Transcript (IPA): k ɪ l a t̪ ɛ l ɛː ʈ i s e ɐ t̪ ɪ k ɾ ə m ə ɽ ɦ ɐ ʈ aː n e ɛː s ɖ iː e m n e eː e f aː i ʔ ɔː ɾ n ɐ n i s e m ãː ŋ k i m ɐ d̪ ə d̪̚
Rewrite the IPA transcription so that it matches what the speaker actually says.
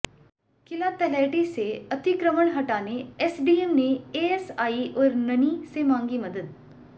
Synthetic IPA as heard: k ɪ l a t̪ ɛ l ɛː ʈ i s e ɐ t̪ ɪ k ɾ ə m ə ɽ ɦ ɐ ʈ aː n e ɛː s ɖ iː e m n e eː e s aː i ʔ ɔː ɾ n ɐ n i s e m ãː ŋ ɡ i m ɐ d̪ ə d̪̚